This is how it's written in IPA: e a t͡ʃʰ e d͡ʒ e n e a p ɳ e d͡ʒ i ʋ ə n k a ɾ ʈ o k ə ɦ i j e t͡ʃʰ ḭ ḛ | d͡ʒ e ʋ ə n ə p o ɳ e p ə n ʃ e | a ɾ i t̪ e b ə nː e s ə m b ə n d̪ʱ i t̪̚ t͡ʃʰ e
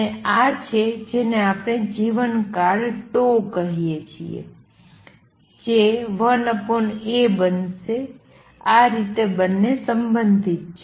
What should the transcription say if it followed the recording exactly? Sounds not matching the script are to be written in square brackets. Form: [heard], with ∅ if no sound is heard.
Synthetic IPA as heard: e a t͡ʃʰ e d͡ʒ e n e a p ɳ e d͡ʒ i ʋ ə n k a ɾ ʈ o k ə ɦ i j e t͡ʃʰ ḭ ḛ | d͡ʒ e ʋ ə n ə p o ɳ e [b] ə n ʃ e | a ɾ i t̪ e b ə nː e s ə m b ə n d̪ʱ i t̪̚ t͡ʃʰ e